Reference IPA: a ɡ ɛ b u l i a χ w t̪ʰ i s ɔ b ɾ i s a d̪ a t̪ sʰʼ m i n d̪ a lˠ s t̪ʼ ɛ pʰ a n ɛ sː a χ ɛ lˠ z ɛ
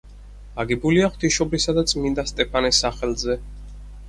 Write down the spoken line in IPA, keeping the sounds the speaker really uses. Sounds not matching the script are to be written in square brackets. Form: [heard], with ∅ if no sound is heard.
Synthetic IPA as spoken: a ɡ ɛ b u l i a χ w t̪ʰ i [ʃ] ɔ b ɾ i s a d̪ a t̪ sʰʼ m i n d̪ a [∅] s t̪ʼ ɛ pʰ a n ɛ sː a χ ɛ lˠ z ɛ